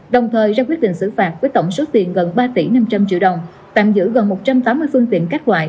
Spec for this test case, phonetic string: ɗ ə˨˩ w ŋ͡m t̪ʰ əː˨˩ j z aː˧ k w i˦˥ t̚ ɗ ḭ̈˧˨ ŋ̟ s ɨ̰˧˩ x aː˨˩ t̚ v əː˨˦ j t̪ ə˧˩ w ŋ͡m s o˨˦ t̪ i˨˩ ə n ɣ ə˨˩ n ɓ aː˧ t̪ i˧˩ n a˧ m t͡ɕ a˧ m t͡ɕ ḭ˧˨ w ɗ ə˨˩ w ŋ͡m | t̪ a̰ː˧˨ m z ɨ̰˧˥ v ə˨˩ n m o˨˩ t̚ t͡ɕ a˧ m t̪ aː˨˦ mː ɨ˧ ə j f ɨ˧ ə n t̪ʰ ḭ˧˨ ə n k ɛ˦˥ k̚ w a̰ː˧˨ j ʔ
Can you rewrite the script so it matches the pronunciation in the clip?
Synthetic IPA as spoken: ɗ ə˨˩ w ŋ͡m t̪ʰ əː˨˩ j z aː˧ k w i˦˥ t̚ ɗ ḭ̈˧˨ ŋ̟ s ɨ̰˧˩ f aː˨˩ t̚ v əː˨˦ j t̪ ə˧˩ w ŋ͡m s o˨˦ t̪ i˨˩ ə n ɣ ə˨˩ n ɓ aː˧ t̪ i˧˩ n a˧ m t͡ɕ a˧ m t͡ɕ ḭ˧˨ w ɗ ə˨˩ w ŋ͡m | t̪ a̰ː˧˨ m z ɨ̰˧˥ ɣ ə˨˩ n m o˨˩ t̚ t͡ɕ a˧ m t̪ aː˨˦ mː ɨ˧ ə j f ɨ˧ ə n t̪ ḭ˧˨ ə n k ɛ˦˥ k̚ w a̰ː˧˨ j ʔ